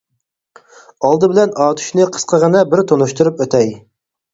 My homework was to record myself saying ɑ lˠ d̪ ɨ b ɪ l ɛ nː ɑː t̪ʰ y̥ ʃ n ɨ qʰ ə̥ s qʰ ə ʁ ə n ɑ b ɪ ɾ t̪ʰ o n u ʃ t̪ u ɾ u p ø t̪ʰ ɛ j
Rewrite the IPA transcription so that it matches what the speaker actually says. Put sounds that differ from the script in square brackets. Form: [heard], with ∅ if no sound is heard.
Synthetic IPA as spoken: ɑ lˠ d̪ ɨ b ɪ l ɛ [n] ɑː t̪ʰ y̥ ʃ n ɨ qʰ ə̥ s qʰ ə ʁ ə n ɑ b ɪ ɾ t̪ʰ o n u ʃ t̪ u ɾ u p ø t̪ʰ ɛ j